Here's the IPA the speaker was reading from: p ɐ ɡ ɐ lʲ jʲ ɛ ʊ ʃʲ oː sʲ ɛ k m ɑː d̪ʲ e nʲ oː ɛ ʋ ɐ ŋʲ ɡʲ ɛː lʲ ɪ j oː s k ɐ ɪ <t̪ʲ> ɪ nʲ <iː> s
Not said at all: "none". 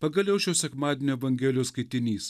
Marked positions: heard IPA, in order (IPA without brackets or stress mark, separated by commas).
t̪ʲ, iː